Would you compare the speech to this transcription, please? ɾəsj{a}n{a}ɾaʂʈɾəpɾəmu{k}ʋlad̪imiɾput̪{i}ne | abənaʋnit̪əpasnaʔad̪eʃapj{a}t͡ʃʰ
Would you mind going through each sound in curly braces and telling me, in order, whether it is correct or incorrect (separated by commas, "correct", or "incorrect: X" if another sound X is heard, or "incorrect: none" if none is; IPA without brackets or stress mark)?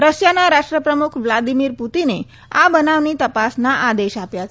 correct, correct, incorrect: kʰ, correct, correct